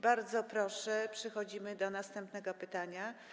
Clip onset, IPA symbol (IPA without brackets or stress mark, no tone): b